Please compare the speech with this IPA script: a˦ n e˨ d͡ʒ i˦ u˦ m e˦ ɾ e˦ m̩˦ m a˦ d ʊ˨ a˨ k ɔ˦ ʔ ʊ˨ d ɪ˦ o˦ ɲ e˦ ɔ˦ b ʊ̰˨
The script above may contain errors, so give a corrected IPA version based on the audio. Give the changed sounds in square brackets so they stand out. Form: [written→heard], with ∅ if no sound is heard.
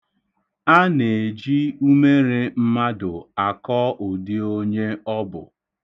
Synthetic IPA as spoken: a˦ n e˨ d͡ʒ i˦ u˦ m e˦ ɾ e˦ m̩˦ m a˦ d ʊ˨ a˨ k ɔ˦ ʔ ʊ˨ d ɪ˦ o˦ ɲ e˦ ɔ˦ b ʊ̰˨